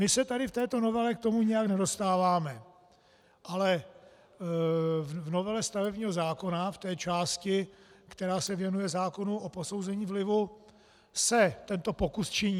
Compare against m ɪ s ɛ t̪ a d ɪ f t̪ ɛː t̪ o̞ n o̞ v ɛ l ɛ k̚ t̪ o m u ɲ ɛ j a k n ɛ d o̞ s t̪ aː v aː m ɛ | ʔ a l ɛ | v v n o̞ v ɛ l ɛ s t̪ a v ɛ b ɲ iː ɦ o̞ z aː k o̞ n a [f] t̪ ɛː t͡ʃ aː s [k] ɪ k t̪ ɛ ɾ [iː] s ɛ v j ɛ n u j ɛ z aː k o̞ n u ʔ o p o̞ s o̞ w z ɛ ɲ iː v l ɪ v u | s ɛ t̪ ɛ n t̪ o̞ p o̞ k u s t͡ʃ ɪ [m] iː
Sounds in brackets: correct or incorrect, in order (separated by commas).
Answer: correct, incorrect, incorrect, incorrect